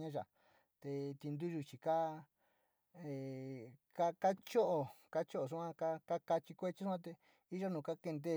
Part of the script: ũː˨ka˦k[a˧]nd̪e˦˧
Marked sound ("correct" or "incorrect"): incorrect